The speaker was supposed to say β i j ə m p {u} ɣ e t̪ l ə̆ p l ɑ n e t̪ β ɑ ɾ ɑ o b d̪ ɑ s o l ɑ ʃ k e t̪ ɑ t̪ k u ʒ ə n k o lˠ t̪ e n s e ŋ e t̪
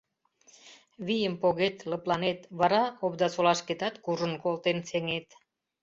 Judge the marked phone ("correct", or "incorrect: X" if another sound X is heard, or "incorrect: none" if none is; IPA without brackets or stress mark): incorrect: o